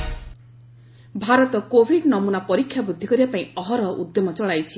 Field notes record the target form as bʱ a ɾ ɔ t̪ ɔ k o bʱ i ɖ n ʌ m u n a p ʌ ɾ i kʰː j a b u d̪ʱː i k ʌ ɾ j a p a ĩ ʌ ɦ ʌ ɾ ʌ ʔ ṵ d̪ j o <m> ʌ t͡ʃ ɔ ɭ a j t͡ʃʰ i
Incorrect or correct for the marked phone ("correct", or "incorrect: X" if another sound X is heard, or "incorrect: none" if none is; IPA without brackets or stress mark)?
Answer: correct